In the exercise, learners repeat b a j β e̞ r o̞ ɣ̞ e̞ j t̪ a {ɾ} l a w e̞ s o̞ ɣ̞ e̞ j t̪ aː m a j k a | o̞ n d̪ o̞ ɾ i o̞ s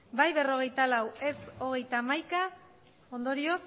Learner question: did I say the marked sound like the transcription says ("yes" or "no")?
no